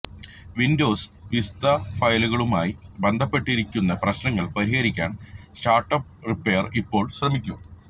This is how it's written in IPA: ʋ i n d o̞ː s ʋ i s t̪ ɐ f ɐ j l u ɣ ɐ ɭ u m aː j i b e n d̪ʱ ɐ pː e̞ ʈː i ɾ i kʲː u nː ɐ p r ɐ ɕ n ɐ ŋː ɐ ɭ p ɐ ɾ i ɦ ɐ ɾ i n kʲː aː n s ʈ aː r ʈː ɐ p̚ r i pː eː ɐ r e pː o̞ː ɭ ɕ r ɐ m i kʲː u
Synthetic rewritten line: ʋ i n d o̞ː s ʋ i s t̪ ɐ f ɐ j l u ɣ ɐ ɭ u m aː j i b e n d̪ʱ ɐ pː e̞ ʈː i ɾ i kʲː u nː ɐ p r ɐ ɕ n ɐ ŋː ɐ ɭ p ɐ ɾ i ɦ ɐ ɾ i kʲː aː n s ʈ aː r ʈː ɐ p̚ r i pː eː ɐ r i pː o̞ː ɭ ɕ r ɐ m i kʲː u